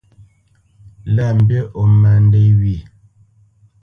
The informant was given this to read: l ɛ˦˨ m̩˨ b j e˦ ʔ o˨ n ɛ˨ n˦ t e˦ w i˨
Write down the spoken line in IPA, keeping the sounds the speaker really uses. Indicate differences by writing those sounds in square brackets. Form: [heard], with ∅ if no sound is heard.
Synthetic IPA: l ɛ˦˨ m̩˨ b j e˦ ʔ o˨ [m] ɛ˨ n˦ [d] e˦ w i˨